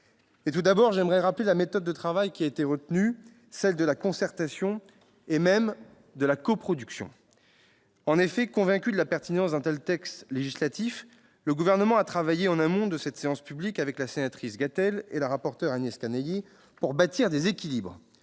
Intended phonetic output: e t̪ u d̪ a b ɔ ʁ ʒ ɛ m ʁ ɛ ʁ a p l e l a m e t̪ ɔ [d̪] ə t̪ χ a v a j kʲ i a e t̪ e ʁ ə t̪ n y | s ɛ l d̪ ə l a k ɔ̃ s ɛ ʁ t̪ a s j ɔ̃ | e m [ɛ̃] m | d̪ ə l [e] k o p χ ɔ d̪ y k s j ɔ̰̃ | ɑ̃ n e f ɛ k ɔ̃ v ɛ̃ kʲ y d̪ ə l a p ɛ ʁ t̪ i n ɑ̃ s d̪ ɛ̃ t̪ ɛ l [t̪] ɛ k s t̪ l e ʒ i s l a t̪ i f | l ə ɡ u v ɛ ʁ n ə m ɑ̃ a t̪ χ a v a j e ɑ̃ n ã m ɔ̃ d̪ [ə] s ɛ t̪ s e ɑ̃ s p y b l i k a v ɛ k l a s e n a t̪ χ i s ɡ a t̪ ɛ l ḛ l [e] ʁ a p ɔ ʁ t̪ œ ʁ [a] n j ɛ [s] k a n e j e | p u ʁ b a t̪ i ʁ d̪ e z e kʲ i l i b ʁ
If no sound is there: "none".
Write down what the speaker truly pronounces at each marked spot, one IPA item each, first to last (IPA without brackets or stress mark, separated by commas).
d̪ː, ɛ, a, t̪, ə, a, a, s